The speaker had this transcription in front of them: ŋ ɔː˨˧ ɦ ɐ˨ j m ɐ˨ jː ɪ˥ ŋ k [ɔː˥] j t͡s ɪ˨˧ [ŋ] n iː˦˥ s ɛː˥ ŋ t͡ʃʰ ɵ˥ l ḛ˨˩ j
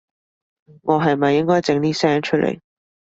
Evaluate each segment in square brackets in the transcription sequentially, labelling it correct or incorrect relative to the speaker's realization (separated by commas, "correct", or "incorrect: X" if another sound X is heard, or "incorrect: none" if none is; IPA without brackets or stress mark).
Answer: correct, correct